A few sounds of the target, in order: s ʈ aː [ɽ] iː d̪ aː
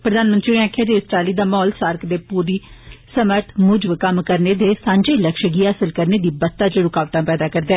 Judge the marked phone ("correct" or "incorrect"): incorrect